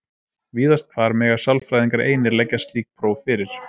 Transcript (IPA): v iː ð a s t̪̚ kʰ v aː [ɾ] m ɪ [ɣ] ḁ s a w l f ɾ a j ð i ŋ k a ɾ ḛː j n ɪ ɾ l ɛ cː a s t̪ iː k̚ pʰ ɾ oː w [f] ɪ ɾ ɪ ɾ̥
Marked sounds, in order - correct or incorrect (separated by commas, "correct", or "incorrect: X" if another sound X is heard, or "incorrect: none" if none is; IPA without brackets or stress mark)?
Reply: correct, correct, correct